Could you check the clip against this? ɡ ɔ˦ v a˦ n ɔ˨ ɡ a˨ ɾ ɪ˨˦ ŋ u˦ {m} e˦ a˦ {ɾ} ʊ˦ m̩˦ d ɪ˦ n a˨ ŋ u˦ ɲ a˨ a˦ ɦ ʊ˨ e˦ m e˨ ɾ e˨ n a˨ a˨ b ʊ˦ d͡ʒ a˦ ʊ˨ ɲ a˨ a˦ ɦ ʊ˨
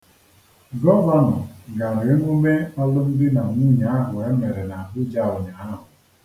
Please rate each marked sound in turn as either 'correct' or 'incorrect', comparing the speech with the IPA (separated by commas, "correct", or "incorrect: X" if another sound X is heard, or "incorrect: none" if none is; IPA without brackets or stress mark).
correct, incorrect: l